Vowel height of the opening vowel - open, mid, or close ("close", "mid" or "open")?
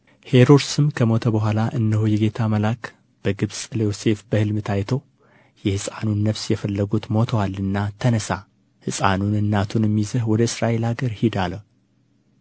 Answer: mid